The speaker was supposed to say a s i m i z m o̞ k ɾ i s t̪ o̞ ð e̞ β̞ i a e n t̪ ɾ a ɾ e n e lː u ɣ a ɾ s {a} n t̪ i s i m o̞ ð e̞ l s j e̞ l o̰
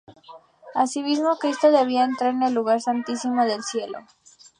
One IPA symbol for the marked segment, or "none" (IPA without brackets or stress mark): a